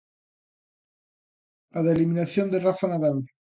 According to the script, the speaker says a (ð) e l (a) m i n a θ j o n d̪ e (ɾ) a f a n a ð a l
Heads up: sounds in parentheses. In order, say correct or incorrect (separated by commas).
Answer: correct, incorrect, incorrect